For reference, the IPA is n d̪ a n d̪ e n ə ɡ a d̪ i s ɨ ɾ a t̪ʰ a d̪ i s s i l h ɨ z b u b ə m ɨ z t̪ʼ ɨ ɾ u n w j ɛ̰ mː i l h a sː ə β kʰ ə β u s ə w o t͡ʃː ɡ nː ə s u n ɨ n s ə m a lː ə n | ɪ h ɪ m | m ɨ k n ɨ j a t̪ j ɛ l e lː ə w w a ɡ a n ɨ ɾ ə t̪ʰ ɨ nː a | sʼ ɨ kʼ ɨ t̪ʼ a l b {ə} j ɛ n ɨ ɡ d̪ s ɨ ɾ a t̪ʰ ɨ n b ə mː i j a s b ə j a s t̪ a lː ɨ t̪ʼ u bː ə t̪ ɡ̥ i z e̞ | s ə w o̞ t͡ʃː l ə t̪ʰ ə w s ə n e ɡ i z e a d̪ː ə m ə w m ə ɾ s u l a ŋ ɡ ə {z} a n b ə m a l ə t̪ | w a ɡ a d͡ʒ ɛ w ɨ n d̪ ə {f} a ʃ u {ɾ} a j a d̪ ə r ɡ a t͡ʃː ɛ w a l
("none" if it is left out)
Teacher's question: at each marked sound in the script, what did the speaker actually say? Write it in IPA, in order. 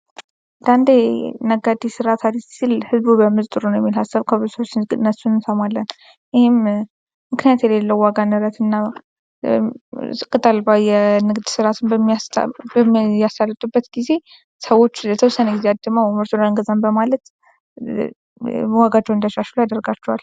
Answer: a, z, ʃ, l

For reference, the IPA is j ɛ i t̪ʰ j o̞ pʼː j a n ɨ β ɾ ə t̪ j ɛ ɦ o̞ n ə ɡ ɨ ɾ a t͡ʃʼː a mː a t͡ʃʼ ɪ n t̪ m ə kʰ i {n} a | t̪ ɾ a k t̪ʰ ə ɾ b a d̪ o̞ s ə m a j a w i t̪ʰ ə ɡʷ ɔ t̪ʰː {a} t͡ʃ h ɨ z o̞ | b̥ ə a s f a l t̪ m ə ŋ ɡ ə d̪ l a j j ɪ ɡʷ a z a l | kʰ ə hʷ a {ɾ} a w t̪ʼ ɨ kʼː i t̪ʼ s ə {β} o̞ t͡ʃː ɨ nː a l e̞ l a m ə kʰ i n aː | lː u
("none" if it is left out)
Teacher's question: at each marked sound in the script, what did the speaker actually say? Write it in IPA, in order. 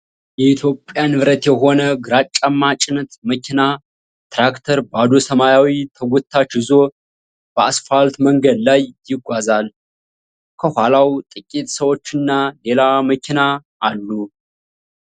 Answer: n, a, l, w

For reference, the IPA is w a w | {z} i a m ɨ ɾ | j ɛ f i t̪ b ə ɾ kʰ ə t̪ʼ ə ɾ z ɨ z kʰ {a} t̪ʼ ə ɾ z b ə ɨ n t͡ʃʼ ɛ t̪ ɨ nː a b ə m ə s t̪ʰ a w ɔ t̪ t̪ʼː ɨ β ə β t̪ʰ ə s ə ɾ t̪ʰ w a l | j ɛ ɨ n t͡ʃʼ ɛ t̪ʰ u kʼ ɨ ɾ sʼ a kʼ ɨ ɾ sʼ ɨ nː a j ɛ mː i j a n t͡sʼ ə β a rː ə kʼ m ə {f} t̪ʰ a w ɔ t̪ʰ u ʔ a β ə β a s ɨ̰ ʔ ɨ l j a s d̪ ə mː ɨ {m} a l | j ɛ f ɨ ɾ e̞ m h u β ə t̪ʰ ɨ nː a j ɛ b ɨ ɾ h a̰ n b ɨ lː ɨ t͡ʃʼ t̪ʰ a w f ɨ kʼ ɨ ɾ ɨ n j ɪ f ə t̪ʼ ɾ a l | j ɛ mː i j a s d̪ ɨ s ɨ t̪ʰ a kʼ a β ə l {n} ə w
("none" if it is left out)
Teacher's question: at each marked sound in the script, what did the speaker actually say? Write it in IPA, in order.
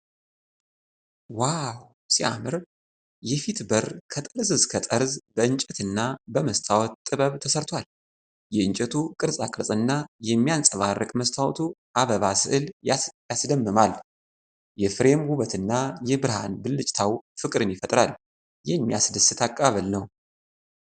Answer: s, ə, s, m, n

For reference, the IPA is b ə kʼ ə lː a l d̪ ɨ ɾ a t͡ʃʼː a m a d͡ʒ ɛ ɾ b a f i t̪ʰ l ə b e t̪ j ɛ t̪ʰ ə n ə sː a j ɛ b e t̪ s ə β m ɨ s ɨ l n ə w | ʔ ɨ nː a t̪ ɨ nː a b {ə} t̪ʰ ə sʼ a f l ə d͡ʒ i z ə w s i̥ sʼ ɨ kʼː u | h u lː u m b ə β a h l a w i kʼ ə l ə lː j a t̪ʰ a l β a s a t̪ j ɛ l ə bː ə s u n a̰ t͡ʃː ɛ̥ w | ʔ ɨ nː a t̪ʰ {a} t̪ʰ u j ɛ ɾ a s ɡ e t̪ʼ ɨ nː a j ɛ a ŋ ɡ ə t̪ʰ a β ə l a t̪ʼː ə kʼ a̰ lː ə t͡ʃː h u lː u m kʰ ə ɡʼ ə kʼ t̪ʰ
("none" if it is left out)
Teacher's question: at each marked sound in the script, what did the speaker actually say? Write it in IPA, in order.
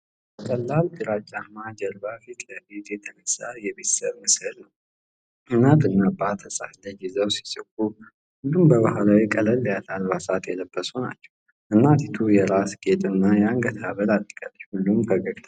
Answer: a, i

